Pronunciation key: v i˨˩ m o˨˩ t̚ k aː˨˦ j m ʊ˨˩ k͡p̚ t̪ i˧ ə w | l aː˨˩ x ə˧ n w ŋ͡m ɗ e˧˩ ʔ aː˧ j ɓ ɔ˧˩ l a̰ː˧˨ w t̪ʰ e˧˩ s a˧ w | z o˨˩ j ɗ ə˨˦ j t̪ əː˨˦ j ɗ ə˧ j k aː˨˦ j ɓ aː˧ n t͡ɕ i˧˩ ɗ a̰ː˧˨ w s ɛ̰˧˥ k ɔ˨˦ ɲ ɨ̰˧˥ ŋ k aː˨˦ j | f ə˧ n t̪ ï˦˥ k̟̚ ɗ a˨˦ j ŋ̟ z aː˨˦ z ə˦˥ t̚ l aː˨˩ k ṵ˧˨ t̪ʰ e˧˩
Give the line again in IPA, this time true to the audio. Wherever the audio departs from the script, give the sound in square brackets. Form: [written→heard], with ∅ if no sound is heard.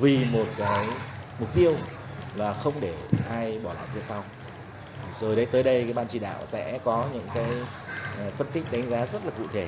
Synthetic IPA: v i˨˩ m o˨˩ t̚ k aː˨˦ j m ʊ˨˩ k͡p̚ t̪ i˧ ə w | l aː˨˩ x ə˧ [n→∅] w ŋ͡m ɗ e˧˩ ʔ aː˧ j ɓ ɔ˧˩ l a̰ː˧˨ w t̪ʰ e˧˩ s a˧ w | z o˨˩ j ɗ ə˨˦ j t̪ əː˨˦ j ɗ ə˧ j k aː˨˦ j ɓ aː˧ n t͡ɕ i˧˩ ɗ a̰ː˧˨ w s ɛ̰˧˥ k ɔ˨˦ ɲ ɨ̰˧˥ ŋ k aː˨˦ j | f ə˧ n t̪ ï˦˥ k̟̚ ɗ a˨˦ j ŋ̟ z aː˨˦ z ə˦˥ t̚ l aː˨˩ k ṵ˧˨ t̪ʰ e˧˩